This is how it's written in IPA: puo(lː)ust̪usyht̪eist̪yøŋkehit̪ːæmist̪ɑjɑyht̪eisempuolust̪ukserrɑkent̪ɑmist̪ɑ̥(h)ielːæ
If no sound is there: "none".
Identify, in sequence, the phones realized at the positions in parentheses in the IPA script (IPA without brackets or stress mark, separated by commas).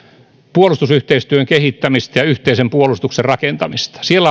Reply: l, s